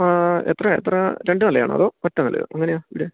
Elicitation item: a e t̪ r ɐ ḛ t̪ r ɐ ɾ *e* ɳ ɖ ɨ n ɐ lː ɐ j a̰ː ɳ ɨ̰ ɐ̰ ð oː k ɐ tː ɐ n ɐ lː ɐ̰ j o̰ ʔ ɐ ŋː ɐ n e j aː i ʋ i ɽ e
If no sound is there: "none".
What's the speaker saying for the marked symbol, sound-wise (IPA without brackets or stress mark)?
e